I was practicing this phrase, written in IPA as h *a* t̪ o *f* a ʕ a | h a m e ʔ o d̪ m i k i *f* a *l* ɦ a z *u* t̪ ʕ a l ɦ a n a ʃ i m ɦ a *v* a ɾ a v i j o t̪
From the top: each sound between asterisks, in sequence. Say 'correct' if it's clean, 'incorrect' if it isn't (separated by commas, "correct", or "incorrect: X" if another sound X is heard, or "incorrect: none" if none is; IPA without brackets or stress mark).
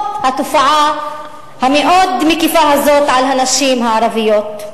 correct, correct, correct, incorrect: none, incorrect: o, incorrect: ʕ